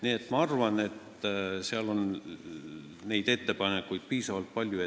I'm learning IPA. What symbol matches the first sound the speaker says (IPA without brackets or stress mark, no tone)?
n